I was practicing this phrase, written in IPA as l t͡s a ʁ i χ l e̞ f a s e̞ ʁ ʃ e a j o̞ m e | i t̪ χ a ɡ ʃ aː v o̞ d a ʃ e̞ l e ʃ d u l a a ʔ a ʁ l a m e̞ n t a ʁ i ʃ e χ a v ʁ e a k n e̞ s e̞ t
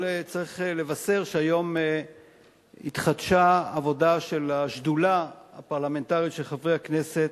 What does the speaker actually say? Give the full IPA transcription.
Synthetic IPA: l t͡s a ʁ i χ l e̞ v a s e̞ ʁ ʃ e a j o̞ m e | i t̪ χ a d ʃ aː v o̞ d a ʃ e̞ l a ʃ d u l a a p a ʁ l a m e̞ n t a ʁ i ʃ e χ a v ʁ e a k n e̞ s e̞ t